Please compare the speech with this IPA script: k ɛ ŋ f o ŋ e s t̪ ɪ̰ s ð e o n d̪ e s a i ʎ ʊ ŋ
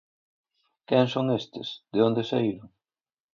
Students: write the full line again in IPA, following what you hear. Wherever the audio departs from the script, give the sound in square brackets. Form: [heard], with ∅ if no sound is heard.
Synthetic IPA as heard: k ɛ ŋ [s] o ŋ e s t̪ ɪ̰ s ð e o n d̪ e s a i [ɾ] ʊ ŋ